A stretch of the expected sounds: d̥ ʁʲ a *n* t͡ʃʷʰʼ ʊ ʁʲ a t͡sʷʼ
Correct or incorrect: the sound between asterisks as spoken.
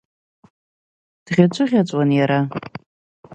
incorrect: none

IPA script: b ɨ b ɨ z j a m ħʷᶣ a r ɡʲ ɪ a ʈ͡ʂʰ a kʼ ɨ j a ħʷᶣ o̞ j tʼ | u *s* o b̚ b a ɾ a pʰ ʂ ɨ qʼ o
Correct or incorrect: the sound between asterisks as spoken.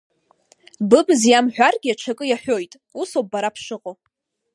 correct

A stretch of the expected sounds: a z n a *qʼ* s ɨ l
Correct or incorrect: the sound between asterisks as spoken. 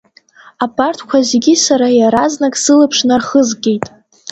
incorrect: kʼ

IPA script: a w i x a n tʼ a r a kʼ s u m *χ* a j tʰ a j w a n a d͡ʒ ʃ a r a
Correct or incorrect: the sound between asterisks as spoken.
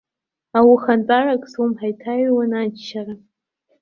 incorrect: ħ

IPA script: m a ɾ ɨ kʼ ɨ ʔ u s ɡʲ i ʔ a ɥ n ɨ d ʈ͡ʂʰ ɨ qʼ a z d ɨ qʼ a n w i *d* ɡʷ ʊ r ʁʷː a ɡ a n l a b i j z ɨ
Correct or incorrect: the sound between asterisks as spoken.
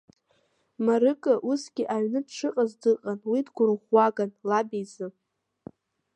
correct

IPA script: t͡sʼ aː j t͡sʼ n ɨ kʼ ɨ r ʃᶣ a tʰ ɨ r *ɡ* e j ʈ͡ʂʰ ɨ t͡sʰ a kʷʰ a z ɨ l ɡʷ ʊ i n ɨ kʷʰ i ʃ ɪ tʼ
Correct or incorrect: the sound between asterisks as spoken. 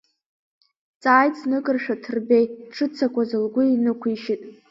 incorrect: b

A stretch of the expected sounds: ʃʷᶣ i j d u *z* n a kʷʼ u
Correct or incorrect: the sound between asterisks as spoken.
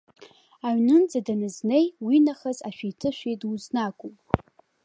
correct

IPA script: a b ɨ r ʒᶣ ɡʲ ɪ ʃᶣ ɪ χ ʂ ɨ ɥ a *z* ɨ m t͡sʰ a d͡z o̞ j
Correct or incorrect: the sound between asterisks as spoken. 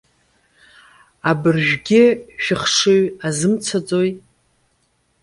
correct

